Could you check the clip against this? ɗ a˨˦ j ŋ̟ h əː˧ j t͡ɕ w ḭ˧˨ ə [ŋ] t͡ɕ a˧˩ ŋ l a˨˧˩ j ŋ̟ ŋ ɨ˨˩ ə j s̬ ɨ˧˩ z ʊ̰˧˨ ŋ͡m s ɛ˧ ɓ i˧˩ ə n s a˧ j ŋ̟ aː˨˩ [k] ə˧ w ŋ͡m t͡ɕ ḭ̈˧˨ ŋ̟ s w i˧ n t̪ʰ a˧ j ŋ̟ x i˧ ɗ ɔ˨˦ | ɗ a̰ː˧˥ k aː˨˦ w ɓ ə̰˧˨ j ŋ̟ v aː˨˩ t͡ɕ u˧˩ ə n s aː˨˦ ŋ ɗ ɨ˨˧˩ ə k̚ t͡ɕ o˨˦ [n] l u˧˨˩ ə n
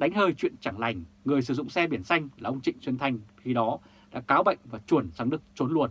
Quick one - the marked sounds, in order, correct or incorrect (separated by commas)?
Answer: incorrect, incorrect, correct